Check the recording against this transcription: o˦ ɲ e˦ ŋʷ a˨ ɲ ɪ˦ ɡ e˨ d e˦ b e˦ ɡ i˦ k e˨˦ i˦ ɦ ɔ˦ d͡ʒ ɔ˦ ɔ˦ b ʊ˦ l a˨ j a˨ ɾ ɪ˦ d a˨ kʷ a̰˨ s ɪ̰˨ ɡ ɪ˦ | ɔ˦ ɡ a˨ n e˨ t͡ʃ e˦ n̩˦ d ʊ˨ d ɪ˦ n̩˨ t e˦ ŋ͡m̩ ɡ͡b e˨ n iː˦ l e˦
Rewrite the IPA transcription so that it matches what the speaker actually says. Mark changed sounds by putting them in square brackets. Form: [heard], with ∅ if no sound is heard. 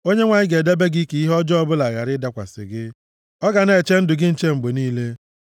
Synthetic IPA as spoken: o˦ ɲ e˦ ŋʷ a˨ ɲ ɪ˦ ɡ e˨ d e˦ b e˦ ɡ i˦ k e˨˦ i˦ ɦ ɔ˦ d͡ʒ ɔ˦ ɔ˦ b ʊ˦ l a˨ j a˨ ɾ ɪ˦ d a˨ kʷ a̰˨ s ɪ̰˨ ɡ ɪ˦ | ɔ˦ ɡ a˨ n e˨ t͡ʃ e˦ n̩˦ d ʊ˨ [ɡ] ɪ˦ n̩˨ [t͡ʃ] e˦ ŋ͡m̩ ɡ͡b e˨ n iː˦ l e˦